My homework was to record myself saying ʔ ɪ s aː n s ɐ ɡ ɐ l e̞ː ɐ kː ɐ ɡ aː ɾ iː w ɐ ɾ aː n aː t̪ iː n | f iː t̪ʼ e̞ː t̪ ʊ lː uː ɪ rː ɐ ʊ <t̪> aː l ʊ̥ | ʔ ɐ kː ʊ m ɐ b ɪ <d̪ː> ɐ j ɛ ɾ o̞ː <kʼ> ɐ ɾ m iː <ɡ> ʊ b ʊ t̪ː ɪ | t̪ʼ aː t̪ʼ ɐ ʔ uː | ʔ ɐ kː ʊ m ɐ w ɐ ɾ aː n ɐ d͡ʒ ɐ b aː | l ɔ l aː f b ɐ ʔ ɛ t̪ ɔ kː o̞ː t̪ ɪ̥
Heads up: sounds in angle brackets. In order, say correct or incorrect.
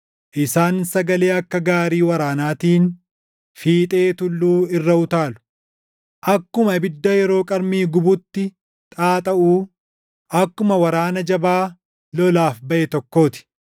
correct, correct, correct, correct

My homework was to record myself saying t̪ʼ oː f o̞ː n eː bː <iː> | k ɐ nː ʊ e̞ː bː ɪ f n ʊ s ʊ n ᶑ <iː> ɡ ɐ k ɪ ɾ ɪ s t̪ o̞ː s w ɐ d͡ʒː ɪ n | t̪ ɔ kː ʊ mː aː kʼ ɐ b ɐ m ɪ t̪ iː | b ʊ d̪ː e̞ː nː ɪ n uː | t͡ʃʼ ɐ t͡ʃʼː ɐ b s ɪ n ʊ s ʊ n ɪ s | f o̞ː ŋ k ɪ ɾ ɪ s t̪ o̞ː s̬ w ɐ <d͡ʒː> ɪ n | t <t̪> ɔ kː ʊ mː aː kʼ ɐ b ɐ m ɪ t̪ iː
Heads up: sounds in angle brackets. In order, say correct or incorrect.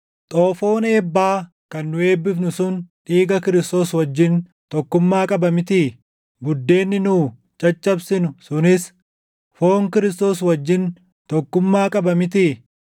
incorrect: aː, correct, correct, correct

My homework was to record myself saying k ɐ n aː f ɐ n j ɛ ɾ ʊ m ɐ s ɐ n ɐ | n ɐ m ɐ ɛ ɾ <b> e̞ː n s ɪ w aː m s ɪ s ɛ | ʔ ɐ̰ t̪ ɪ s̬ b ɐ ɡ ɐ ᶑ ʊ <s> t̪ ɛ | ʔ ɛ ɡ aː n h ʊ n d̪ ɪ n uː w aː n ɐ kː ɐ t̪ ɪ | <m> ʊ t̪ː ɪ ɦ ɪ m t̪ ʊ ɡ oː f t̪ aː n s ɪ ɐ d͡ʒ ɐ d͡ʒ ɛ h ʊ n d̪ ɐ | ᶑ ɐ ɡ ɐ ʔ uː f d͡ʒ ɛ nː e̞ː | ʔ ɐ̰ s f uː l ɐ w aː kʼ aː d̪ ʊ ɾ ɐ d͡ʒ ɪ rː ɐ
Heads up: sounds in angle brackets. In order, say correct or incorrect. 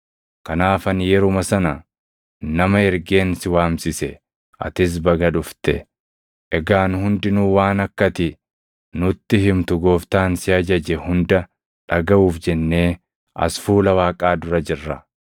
incorrect: ɡ, incorrect: f, incorrect: n

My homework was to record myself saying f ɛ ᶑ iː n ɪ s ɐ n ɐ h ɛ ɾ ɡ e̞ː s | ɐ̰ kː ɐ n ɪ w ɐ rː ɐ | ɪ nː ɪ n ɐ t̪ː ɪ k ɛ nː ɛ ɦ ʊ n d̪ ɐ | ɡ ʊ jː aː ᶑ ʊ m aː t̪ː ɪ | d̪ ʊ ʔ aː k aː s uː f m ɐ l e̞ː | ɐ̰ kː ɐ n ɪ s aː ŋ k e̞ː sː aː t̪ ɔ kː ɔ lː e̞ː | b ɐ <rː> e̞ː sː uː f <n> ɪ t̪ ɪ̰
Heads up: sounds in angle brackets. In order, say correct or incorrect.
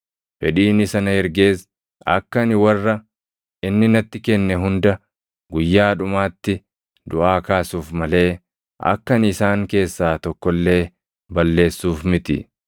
incorrect: lː, incorrect: m

